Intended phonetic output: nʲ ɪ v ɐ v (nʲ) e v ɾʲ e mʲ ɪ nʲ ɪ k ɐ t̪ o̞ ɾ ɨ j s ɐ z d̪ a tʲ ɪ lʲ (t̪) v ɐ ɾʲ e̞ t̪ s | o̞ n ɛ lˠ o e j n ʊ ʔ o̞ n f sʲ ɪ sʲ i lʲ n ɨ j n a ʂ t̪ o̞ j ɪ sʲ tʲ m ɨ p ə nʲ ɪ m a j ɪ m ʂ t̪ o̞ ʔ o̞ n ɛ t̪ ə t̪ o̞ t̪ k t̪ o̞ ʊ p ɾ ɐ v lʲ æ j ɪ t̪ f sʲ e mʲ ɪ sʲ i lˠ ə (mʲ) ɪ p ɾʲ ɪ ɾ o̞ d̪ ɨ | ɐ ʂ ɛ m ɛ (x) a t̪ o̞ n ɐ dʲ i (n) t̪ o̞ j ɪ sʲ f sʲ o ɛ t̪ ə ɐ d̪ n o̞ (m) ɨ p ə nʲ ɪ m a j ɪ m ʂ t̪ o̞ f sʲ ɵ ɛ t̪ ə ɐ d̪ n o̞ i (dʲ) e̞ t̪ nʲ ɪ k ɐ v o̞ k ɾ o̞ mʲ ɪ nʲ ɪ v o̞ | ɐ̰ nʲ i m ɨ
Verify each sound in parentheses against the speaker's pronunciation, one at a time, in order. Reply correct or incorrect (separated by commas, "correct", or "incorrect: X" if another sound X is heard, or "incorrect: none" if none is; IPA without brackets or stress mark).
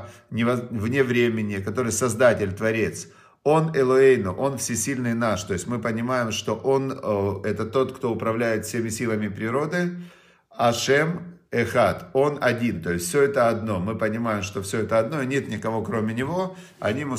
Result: correct, correct, correct, correct, correct, correct, incorrect: nʲ